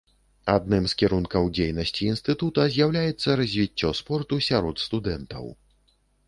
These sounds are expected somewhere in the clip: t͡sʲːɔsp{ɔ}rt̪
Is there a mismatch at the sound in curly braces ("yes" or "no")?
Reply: no